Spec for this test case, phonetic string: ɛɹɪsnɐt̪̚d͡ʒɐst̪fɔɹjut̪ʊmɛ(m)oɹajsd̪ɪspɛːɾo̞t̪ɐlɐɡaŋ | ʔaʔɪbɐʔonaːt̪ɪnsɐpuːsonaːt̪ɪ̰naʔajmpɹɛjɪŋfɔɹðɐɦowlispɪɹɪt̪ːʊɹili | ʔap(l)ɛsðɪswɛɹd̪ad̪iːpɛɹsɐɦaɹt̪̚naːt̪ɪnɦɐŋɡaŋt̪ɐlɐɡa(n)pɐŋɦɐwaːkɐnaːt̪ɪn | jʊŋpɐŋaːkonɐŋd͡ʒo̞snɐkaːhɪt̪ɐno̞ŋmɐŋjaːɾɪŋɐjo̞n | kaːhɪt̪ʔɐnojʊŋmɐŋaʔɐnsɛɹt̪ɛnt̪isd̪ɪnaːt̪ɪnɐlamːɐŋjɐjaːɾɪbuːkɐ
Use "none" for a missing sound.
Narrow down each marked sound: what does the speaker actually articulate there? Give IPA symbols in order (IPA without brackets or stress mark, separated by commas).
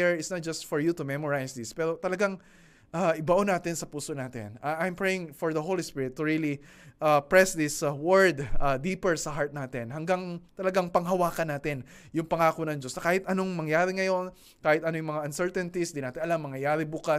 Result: m, ɹ, ŋ